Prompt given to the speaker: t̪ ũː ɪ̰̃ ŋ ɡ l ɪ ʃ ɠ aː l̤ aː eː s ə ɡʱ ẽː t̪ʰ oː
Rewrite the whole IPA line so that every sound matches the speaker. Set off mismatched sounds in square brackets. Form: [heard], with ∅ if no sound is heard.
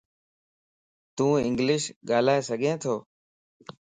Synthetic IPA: t̪ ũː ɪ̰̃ ŋ ɡ l ɪ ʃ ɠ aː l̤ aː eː s ə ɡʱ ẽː t̪ʰ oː